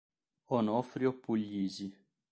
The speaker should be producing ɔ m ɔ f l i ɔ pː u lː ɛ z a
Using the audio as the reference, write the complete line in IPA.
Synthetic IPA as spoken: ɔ n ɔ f ɾ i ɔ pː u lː i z i